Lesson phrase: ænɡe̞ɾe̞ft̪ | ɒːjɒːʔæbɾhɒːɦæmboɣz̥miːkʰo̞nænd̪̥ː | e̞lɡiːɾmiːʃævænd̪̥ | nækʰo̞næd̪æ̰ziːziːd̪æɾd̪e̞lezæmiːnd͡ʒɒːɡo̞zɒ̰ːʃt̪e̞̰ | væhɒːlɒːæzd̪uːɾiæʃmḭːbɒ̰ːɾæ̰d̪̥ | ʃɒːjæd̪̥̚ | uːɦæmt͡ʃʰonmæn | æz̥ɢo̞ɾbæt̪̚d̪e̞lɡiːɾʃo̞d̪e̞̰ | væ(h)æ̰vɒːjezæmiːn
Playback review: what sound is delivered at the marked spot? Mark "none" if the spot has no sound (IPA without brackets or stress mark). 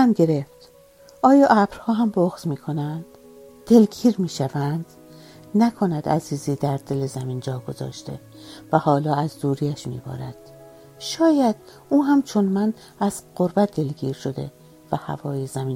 h